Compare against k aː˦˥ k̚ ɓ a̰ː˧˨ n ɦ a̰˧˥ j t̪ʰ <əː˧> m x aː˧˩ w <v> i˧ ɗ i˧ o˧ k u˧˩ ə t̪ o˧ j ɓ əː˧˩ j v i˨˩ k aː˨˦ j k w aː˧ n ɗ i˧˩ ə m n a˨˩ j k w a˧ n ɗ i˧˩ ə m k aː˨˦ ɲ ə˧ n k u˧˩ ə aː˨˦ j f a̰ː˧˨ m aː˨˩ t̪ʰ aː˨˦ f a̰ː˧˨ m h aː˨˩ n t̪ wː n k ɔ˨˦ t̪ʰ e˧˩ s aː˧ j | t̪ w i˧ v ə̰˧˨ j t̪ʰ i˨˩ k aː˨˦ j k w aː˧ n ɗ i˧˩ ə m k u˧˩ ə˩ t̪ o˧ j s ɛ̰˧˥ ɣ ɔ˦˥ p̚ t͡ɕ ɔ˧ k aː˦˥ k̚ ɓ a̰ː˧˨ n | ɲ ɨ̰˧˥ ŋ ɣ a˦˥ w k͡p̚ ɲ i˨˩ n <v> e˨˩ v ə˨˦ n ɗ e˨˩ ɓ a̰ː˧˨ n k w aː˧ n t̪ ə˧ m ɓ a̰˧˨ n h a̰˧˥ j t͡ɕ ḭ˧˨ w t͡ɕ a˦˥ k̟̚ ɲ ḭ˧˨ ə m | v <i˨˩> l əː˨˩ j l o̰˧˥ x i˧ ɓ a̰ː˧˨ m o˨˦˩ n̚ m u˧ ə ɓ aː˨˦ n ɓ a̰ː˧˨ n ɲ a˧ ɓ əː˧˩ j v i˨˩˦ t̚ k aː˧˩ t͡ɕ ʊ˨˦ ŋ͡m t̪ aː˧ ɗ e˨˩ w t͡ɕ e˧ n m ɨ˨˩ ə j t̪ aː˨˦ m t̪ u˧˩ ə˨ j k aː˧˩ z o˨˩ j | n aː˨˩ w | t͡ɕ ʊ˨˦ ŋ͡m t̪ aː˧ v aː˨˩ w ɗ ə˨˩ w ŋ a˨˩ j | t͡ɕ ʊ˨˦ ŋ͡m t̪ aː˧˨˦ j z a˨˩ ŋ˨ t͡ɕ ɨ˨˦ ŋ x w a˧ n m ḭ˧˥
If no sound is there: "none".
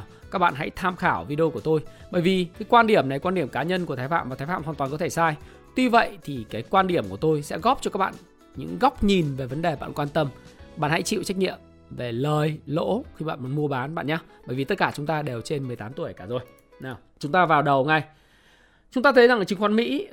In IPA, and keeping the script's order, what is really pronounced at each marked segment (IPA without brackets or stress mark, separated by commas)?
aː˧, v, v, e˨˩